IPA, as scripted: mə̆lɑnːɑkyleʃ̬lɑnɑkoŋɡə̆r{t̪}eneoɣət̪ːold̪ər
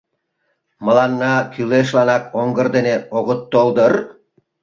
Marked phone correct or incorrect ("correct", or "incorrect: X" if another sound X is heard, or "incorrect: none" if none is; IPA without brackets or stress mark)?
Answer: incorrect: d̪